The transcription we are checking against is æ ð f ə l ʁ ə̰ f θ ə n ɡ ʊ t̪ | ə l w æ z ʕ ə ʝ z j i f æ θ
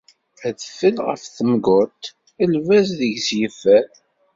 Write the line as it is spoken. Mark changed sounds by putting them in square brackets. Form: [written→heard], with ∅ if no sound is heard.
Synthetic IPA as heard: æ ð f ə l ʁ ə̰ f θ ə [n→m] ɡ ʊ t̪ | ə l [w→v] æ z [ʕ→ð] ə ʝ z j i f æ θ